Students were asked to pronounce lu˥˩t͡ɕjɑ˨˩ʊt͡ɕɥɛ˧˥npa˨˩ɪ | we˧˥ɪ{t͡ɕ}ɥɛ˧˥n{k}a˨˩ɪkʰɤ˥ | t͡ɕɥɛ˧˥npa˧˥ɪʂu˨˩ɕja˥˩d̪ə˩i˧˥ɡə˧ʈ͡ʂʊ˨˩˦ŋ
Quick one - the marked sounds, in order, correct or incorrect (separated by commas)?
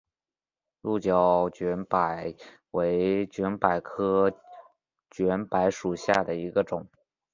correct, incorrect